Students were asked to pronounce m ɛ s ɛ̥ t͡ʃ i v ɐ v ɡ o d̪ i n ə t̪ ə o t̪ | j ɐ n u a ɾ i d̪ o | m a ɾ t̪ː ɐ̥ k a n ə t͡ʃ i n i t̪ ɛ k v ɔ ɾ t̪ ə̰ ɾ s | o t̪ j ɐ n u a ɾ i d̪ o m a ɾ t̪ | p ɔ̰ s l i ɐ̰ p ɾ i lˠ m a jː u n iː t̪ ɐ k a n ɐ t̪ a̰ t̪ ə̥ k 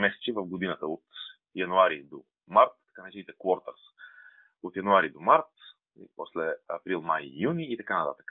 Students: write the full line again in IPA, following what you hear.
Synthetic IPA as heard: m ɛ s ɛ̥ t͡ʃ i v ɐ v ɡ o d̪ i n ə t̪ ə o t̪ | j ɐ n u a ɾ i d̪ o | m a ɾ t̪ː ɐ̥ k a n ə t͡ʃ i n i t̪ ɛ k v ɔ ɾ t̪ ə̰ ɾ s | o t̪ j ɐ n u a ɾ i d̪ o m a ɾ t̪ | p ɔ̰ s l ɛ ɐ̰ p ɾ i lˠ m a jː u n iː t̪ ɐ k a n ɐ t̪ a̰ t̪ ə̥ k